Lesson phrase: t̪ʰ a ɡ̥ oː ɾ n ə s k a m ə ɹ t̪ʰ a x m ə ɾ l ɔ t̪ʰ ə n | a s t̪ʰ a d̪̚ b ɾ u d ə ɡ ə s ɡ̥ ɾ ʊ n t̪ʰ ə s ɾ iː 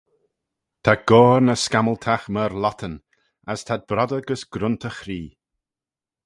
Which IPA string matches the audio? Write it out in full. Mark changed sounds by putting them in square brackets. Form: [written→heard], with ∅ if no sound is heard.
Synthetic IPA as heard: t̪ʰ a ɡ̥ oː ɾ n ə s k a m ə [ɹ→l] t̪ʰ a x m ə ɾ l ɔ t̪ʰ ə n | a s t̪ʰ a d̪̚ b ɾ [u→ɔ] d ə ɡ ə s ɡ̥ ɾ ʊ n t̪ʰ ə [s→x] ɾ iː